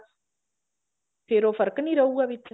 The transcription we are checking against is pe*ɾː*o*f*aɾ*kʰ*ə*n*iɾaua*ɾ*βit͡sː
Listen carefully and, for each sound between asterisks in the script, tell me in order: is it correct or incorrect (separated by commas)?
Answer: incorrect, correct, incorrect, correct, incorrect